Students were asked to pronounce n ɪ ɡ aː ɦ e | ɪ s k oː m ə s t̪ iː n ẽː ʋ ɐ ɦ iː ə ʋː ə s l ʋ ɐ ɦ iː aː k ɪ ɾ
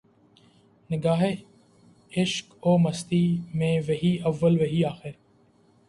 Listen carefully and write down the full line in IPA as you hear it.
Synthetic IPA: n ɪ ɡ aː ɦ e | ɪ ʃ k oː m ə s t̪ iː m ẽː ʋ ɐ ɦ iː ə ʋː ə l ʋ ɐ ɦ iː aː x ɪ ɾ